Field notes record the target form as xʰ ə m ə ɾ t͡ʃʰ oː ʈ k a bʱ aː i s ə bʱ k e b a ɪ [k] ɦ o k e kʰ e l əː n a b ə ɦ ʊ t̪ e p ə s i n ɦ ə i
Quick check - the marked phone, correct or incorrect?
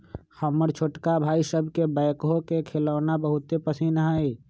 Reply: correct